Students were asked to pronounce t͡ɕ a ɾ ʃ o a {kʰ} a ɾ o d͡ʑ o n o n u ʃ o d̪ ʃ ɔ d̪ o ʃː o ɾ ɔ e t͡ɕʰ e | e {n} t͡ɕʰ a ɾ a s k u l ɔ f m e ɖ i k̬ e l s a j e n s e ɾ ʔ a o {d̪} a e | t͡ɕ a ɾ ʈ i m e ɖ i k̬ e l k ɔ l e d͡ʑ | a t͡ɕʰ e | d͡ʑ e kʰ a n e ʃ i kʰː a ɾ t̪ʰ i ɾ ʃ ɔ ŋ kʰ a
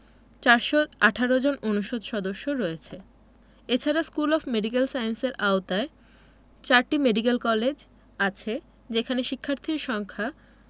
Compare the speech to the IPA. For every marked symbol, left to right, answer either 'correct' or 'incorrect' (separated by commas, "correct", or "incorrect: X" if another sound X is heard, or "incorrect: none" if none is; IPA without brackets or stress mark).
incorrect: ʈʰ, incorrect: none, incorrect: t̪